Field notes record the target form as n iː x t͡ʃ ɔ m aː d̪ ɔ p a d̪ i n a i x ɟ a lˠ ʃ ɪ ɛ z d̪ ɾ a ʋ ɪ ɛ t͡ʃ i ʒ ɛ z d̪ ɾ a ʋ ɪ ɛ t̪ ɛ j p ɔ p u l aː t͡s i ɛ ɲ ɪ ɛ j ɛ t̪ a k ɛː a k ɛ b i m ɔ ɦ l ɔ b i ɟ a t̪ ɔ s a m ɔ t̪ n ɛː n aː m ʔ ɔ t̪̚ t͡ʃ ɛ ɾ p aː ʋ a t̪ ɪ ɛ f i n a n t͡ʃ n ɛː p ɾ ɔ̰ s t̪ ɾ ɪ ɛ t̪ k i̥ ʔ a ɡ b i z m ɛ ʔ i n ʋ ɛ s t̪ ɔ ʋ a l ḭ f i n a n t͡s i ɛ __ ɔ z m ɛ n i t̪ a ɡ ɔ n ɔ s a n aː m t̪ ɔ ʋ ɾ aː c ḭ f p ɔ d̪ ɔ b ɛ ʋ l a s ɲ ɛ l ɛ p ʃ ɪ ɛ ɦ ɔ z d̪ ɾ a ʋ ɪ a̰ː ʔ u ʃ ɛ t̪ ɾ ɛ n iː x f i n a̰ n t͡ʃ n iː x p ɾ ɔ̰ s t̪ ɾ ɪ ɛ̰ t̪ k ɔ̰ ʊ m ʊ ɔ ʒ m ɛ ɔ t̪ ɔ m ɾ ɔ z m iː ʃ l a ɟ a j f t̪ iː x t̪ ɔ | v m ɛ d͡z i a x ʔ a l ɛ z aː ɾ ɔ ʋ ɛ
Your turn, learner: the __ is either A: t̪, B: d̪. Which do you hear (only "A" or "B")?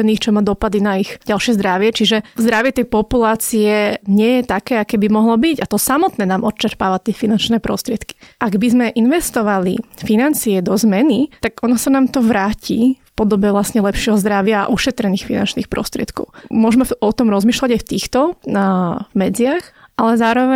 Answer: B